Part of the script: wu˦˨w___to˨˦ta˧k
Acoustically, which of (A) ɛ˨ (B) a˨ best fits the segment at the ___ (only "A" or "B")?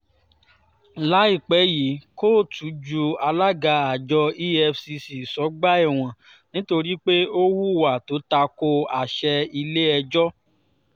B